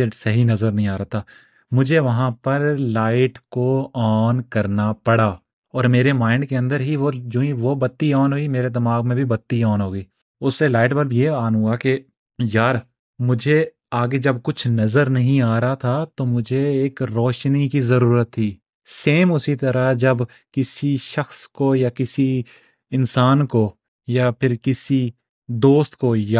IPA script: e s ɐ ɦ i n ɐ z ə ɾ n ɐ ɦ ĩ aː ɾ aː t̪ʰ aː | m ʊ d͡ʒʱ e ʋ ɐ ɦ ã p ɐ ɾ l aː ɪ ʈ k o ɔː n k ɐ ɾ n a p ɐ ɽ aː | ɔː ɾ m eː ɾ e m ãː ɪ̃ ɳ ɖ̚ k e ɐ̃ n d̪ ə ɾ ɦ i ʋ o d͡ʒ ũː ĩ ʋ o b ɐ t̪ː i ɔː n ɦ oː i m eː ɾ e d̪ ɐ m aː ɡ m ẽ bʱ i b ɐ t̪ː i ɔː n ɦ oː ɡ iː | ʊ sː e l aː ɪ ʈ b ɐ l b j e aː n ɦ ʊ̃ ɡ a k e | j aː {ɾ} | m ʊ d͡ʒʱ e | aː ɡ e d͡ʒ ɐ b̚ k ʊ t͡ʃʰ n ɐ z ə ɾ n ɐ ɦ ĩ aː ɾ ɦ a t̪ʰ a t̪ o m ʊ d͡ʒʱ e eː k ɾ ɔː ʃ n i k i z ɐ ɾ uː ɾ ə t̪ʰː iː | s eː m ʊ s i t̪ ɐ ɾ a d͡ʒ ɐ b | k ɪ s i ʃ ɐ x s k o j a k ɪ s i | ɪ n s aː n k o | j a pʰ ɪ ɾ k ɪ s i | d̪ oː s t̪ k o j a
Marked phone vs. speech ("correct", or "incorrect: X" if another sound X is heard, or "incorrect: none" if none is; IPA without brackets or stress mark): correct